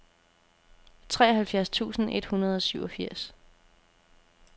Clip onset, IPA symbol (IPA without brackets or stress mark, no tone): t͡sʰ